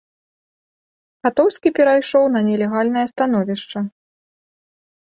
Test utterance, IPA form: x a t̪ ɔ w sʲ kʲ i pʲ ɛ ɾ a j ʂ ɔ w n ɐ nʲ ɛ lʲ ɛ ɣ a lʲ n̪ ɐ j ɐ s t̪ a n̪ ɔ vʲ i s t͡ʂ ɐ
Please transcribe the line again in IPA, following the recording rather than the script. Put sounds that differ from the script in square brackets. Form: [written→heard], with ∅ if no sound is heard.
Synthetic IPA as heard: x a t̪ ɔ w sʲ kʲ i pʲ ɛ ɾ a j ʂ ɔ w n ɐ nʲ ɛ lʲ ɛ ɣ a lʲ n̪ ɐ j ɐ s t̪ a n̪ ɔ vʲ i [s→ʂ] t͡ʂ ɐ